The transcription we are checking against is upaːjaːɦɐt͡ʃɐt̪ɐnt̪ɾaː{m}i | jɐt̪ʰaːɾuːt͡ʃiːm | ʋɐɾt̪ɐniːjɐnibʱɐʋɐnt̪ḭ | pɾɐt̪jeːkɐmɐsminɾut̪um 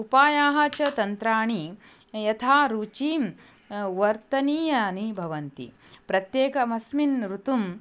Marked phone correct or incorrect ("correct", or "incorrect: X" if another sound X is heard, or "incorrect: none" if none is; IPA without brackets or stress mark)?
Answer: incorrect: ɳ